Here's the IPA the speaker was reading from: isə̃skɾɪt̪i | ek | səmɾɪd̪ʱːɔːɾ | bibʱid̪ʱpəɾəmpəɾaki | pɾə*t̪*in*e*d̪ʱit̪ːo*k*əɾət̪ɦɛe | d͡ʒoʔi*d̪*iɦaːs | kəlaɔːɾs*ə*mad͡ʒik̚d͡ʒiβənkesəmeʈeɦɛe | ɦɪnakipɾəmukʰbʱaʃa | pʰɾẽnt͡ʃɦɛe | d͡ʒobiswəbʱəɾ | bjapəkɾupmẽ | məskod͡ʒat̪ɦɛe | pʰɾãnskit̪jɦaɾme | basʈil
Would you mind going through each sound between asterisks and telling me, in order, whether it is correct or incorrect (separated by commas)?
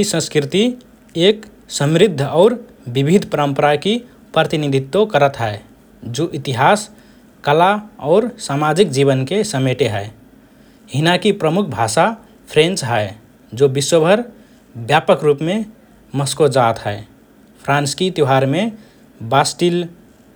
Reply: correct, incorrect, correct, incorrect, incorrect